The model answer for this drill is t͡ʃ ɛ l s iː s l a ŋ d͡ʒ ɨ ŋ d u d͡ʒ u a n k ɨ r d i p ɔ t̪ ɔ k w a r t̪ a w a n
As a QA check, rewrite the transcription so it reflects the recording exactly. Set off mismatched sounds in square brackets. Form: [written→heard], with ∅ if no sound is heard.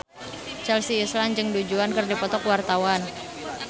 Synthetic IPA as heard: t͡ʃ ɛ l s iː s l a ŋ d͡ʒ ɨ ŋ d u d͡ʒ u a n k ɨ r d i p ɔ t̪ ɔ k w a r t̪ a w a n